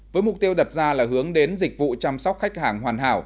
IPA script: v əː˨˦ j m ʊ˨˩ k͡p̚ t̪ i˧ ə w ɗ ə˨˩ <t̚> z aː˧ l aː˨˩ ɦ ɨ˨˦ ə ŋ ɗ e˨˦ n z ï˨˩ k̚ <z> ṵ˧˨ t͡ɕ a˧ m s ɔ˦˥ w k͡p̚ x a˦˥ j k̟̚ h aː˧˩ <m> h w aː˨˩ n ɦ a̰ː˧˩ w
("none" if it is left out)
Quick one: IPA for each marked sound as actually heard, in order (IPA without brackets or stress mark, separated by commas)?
t̚, v, ŋ